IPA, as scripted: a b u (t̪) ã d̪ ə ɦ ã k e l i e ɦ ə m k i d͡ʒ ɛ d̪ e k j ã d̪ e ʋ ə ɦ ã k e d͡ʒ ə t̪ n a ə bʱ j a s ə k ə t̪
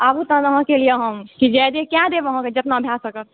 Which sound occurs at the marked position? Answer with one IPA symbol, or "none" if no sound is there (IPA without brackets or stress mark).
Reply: t̪